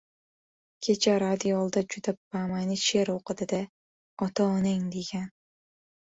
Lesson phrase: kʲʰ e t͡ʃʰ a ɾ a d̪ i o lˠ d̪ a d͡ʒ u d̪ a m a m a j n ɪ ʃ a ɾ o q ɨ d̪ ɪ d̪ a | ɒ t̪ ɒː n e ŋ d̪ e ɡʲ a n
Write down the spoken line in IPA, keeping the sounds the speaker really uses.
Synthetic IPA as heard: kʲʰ e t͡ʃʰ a ɾ a d̪ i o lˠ d̪ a d͡ʒ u d̪ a b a m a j n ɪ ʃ e ɾ o q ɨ d̪ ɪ d̪ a | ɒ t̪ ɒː n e ŋ d̪ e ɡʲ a n